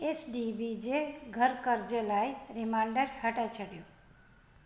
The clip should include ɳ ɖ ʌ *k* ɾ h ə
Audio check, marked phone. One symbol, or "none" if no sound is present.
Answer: none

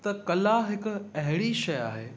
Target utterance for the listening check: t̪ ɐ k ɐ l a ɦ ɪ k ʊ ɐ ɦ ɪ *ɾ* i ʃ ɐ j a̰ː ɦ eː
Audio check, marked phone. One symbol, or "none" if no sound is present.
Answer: ɽ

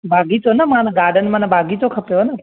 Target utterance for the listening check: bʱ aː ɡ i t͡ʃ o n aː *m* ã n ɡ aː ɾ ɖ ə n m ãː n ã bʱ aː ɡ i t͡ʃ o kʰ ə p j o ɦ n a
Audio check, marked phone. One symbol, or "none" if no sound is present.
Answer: m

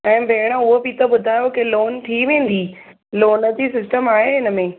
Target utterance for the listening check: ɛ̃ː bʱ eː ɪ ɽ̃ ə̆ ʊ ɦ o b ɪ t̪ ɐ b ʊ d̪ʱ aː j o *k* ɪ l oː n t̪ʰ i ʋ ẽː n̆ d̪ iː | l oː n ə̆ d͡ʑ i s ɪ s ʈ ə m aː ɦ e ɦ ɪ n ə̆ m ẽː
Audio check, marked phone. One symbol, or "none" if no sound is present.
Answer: k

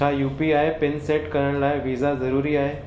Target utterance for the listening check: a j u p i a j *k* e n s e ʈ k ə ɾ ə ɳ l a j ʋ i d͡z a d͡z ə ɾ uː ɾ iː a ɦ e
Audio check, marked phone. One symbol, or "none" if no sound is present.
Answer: p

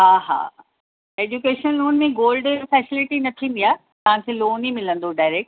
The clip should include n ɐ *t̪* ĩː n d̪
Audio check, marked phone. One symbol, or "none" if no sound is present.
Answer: t̪ʰ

